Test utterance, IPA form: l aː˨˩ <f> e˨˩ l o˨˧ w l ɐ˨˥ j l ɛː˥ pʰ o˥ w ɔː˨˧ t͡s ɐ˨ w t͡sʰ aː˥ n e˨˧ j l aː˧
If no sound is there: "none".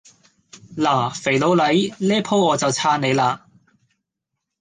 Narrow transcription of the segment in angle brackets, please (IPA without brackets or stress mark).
f